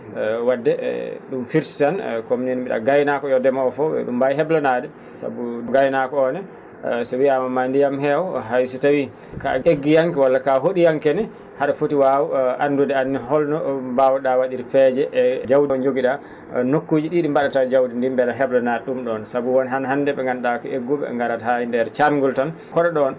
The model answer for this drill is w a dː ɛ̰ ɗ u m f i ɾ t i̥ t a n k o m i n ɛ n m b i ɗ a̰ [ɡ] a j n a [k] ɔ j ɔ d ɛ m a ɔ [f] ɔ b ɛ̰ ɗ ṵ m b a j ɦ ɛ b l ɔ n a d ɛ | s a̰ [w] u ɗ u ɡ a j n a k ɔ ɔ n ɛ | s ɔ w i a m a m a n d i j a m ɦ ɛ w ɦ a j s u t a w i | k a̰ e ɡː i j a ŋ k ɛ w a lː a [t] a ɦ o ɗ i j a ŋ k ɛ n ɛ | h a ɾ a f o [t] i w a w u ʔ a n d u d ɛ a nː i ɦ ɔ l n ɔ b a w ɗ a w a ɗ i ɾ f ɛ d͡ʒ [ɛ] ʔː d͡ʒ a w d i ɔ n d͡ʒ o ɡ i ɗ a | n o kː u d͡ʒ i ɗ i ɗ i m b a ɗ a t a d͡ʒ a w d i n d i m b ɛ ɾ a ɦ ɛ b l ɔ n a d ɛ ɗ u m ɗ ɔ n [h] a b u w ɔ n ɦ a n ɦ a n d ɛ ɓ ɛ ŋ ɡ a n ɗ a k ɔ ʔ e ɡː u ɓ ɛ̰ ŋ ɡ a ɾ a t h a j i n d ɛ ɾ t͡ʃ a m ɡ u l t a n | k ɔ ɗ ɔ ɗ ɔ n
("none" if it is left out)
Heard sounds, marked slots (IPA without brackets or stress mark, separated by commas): ɡ, k, f, b, k, t, ɛ, s